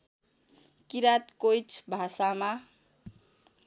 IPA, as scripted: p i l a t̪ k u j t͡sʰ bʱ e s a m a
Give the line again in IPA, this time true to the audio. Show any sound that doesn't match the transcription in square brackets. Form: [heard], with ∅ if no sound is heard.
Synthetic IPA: [k] i [ɾ] a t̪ k [o] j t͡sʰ bʱ [a] s a m a